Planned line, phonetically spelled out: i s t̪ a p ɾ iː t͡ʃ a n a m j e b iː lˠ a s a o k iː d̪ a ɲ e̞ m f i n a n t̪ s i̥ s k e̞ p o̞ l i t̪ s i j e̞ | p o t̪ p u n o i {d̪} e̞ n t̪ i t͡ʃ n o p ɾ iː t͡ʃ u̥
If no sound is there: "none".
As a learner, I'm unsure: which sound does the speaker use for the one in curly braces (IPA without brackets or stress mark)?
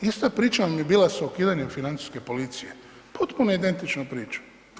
d̪